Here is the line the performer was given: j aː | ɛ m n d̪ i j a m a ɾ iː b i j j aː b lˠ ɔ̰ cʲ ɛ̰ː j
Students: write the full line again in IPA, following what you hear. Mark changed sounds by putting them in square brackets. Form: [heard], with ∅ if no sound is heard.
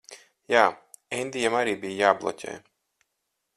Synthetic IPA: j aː | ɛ [∅] n d̪ i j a m a ɾ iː b i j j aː b lˠ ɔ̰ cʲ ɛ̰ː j